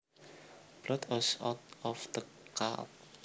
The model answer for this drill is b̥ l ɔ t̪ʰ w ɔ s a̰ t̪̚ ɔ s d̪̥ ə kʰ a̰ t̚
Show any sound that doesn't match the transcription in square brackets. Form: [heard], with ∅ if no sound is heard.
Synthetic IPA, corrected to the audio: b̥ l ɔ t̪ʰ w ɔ s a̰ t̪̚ ɔ [f] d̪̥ ə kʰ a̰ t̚